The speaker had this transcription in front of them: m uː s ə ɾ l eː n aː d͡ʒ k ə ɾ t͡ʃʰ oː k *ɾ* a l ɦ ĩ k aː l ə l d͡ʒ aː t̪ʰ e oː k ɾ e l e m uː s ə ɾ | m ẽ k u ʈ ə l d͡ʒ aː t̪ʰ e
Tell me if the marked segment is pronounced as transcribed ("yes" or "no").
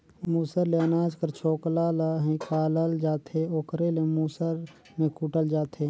no